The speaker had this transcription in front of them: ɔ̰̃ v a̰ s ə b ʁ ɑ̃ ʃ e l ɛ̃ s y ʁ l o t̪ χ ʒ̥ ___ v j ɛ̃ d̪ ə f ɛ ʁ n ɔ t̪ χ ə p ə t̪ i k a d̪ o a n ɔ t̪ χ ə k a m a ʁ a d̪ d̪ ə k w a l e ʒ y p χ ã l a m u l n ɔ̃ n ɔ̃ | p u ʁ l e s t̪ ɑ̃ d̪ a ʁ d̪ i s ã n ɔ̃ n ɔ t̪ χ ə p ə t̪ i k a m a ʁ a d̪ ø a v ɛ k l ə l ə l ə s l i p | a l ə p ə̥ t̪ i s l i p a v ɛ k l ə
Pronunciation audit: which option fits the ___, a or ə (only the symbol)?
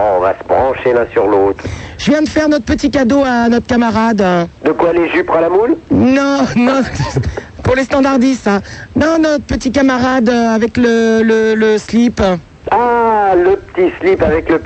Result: ə